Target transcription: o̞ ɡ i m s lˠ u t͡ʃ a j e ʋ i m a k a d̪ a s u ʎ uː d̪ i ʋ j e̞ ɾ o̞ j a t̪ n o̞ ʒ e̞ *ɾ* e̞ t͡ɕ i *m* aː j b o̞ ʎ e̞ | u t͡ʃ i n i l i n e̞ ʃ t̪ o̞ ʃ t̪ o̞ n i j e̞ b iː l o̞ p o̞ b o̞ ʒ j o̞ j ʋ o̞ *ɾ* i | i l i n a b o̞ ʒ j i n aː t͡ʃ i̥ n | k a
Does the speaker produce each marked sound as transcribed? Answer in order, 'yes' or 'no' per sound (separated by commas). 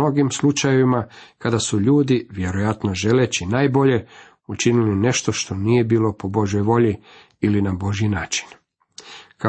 no, no, no